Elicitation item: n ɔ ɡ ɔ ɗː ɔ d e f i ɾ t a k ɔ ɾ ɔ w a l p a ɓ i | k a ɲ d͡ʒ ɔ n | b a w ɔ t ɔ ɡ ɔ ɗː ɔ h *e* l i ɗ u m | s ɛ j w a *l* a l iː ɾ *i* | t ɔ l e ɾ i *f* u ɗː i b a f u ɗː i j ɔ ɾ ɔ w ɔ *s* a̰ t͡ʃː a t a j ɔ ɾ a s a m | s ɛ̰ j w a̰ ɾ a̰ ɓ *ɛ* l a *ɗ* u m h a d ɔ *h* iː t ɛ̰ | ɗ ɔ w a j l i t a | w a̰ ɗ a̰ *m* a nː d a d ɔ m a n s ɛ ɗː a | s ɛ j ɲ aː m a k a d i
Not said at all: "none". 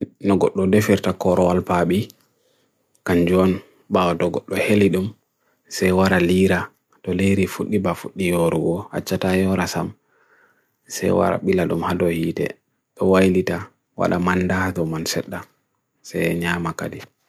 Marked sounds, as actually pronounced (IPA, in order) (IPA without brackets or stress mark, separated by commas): e, ɾ, a, f, h, i, ɗ, h, m